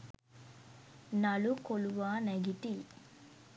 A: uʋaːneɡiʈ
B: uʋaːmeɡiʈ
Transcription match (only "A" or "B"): A